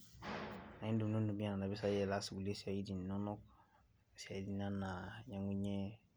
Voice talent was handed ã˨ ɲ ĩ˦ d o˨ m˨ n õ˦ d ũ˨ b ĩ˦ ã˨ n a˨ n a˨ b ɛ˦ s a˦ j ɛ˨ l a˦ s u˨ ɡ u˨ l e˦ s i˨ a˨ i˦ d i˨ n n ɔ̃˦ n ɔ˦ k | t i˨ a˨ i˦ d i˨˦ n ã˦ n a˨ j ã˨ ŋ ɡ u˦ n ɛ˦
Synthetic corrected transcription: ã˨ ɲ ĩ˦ d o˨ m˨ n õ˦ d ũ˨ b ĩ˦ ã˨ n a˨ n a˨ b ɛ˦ s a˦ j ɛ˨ l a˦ s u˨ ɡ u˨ l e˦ s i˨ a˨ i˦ d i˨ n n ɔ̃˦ n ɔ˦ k | s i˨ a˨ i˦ d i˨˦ n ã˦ n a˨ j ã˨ ŋ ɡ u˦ ɲ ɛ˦